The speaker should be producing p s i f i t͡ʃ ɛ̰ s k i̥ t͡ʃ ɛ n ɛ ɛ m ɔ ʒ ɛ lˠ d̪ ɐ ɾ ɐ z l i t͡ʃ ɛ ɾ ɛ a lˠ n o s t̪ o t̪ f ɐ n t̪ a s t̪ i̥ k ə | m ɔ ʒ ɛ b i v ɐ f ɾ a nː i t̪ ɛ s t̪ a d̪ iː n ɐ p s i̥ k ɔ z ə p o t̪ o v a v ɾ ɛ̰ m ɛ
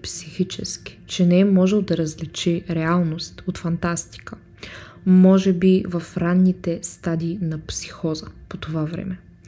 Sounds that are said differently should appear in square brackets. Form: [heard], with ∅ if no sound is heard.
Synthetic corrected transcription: p s i [x] i t͡ʃ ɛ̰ s k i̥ t͡ʃ ɛ n ɛ ɛ m ɔ ʒ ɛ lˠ d̪ ɐ ɾ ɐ z l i t͡ʃ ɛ ɾ ɛ a lˠ n o s t̪ o t̪ f ɐ n t̪ a s t̪ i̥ k ə | m ɔ ʒ ɛ b i v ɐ f ɾ a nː i t̪ ɛ s t̪ a d̪ iː n ɐ p s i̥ [x] ɔ z ə p o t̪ o v a v ɾ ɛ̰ m ɛ